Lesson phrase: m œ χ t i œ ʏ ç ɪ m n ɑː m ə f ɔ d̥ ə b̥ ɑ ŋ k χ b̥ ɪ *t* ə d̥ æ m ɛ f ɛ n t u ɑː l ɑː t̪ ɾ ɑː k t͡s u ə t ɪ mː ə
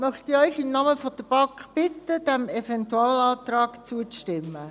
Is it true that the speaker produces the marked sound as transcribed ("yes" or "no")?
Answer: yes